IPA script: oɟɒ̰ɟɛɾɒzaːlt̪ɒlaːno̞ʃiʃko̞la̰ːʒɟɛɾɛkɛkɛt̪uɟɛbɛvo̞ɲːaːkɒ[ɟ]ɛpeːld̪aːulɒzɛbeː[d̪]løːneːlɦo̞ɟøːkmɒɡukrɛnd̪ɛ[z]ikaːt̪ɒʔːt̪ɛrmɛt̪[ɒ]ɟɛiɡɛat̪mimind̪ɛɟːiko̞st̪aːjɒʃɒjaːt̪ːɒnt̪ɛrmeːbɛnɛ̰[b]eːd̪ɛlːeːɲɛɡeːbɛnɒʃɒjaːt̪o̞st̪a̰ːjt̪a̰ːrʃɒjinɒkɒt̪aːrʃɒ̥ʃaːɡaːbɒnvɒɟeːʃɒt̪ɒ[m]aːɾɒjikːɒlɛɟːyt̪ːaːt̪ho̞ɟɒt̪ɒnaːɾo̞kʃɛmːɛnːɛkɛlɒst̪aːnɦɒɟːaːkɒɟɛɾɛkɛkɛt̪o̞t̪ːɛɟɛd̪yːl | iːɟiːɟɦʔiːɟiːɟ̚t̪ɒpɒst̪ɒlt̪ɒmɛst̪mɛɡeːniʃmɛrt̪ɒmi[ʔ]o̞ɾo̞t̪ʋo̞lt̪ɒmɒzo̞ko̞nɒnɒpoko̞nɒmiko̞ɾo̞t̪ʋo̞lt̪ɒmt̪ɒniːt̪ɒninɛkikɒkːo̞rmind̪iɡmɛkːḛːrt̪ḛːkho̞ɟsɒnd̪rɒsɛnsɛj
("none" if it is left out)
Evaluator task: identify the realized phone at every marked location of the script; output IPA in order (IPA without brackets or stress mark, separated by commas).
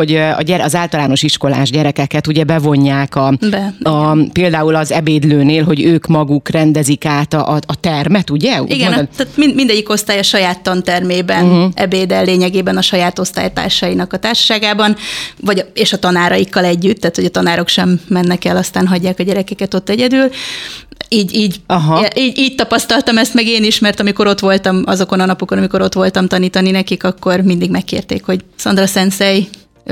b, d̪, z, u, b, n, k